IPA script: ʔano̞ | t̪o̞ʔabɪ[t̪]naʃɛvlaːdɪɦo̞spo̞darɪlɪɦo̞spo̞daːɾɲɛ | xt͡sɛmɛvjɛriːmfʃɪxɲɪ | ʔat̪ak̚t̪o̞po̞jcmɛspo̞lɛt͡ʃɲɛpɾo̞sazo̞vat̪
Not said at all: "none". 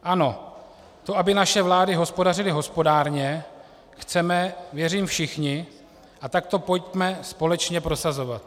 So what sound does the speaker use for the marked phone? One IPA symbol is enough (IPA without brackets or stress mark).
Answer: none